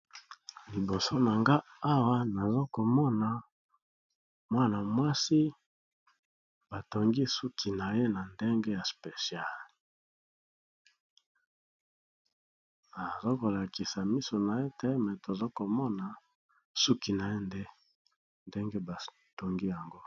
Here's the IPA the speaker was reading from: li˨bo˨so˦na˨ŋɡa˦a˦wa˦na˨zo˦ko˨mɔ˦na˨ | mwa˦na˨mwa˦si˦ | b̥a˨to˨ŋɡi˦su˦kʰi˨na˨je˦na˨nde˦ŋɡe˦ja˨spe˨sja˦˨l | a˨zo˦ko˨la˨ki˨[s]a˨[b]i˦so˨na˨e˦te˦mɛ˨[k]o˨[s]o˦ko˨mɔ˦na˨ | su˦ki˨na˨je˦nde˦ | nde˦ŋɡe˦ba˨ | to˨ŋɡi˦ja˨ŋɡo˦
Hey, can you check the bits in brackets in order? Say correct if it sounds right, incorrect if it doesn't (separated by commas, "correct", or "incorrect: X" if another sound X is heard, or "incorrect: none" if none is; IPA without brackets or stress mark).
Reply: correct, incorrect: m, incorrect: t, incorrect: z